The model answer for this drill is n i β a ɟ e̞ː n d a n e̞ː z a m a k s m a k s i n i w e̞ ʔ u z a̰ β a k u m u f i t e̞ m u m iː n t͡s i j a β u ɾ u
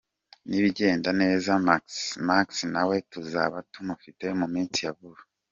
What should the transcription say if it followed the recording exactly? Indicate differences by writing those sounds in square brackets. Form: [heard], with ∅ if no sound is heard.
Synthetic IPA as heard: n i β [i] ɟ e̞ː n d a n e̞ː z a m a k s m a k s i n [a] w e̞ [t] u z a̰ β a [t] u m u f i t e̞ m u m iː n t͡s i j a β u ɾ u